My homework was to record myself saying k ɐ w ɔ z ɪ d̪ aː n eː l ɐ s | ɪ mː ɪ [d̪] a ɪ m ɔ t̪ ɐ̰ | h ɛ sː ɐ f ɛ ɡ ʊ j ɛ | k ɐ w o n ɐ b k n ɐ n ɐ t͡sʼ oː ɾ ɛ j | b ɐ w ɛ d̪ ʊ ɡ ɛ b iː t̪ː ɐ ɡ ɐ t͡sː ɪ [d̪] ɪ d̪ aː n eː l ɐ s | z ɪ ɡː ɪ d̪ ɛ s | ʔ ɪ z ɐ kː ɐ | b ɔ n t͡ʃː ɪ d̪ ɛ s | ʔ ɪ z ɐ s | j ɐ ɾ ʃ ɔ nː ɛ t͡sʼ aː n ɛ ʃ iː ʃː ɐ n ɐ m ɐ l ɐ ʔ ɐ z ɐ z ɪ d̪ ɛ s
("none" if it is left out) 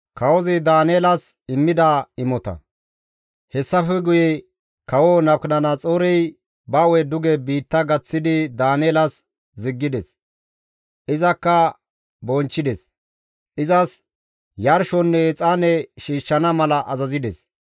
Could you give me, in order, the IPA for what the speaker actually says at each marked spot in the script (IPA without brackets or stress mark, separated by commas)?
d̪, d̪